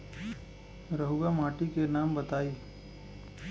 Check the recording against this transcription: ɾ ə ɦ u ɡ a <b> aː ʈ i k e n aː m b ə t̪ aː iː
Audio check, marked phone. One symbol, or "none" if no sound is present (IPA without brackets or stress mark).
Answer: m